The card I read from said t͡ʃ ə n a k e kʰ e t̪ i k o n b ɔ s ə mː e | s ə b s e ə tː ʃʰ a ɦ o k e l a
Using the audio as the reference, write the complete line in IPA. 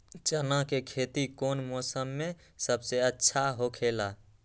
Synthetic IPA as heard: t͡ʃ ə n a k e kʰ e t̪ i k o n m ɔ s ə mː e | s ə b s e ə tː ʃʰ a ɦ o kʰ e l a